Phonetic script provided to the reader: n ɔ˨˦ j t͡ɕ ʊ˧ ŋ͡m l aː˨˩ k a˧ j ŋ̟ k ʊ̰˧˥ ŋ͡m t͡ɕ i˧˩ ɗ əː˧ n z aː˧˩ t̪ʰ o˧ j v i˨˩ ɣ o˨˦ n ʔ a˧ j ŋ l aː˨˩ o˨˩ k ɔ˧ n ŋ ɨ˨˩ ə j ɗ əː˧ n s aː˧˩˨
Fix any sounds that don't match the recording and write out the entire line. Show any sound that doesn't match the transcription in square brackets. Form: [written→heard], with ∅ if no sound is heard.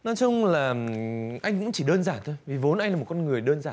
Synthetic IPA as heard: n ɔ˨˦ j t͡ɕ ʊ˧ ŋ͡m l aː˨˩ [k→ʔ] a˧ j ŋ̟ k ʊ̰˧˥ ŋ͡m t͡ɕ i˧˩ ɗ əː˧ n z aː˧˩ t̪ʰ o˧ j v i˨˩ [ɣ→v] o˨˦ n ʔ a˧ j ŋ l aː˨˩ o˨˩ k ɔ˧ n ŋ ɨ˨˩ ə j ɗ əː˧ n [s→z] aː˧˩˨